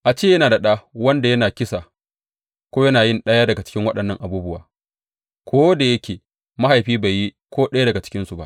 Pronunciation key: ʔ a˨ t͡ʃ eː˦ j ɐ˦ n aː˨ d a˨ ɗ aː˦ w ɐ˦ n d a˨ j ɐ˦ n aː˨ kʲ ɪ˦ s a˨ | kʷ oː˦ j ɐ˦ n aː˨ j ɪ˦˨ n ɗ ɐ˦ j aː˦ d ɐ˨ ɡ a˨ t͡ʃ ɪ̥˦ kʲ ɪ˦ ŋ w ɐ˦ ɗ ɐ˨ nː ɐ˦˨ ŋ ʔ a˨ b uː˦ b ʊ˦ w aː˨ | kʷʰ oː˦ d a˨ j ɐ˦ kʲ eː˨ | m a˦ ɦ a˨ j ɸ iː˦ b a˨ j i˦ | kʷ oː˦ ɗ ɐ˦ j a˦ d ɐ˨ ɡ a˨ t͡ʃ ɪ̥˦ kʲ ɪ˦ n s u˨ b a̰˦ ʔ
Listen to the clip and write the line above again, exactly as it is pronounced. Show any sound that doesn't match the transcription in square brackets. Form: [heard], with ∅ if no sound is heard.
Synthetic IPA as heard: ʔ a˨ t͡ʃ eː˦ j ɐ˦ n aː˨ d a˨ ɗ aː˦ w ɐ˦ n d a˨ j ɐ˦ n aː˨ kʲ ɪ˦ s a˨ | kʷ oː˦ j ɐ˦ n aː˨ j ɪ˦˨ n ɗ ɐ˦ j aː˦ d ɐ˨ ɡ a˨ t͡ʃ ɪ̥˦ kʲ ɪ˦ ŋ w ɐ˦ ɗ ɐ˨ nː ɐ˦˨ ŋ ʔ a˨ b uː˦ b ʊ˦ w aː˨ | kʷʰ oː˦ d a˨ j ɐ˦ kʲ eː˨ | m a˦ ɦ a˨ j ɸ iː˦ b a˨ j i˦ | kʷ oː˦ ɗ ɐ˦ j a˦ d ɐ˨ ɡ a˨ t͡ʃ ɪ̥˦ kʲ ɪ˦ n s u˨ b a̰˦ ʔ